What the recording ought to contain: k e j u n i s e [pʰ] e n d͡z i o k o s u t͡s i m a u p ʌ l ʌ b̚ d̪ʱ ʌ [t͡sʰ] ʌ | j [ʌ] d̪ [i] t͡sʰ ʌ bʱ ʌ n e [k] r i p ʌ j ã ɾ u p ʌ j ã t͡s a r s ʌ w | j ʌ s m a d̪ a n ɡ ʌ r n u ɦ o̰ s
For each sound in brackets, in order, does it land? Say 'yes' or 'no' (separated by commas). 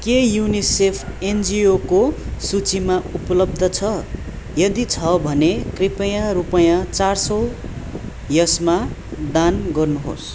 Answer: yes, yes, yes, yes, yes